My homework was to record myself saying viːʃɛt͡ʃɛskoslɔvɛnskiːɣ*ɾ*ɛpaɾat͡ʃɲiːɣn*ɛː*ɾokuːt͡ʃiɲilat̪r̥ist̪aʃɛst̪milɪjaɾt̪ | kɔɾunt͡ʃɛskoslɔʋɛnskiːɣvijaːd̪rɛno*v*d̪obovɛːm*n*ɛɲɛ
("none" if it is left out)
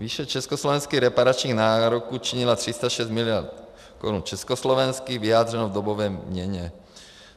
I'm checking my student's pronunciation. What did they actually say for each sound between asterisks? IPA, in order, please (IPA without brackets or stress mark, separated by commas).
ɾ, aː, v, ɲ